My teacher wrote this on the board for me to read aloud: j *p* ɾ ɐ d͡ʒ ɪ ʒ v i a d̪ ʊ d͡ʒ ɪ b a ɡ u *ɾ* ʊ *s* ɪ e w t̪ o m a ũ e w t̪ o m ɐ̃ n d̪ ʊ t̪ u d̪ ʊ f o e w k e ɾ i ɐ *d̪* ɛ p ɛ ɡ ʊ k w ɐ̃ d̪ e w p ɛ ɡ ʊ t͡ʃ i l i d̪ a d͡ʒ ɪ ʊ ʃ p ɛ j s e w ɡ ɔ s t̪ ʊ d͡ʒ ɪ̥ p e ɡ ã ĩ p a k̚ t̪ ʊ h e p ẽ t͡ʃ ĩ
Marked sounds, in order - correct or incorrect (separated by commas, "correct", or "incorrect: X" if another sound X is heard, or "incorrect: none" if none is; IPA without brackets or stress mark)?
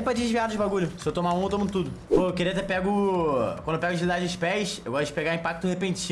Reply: correct, incorrect: ʎ, correct, incorrect: t̪